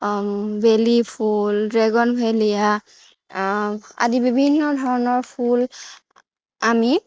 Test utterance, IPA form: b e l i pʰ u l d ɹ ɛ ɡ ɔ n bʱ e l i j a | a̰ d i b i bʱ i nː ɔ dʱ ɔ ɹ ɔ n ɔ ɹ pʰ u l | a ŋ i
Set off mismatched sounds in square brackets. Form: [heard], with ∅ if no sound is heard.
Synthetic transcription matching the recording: b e l i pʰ u l d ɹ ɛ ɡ ɔ n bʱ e l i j a | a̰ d i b i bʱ i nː ɔ dʱ ɔ ɹ ɔ n ɔ ɹ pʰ u l | a [m] i